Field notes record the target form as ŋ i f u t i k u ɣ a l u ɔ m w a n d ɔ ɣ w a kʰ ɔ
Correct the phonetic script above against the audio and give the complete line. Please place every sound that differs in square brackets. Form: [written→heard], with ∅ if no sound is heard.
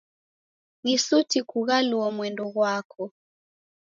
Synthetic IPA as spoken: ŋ i [f→s] u t i k u ɣ a l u ɔ m w [a→ɛ] n d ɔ ɣ w a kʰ ɔ